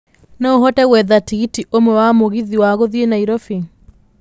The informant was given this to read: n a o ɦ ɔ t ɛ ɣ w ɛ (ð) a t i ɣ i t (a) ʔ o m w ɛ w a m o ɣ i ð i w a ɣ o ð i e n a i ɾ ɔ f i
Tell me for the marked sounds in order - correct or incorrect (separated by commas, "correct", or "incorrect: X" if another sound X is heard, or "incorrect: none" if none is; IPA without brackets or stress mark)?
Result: correct, incorrect: i